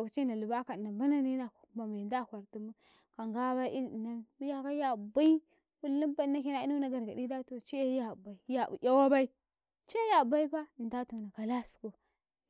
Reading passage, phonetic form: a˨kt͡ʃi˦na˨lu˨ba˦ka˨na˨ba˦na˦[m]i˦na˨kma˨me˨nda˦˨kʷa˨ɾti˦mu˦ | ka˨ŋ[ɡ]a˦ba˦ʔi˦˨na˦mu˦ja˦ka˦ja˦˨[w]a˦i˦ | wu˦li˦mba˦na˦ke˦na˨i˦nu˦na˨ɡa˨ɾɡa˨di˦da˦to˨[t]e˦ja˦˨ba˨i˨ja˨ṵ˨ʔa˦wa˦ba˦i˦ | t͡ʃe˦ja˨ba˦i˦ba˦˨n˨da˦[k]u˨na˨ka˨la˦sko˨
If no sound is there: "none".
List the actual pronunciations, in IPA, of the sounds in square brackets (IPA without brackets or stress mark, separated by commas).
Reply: n, ɡ, b, t͡ʃ, t